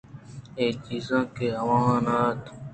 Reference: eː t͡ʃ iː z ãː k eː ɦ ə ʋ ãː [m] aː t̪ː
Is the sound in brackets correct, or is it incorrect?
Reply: incorrect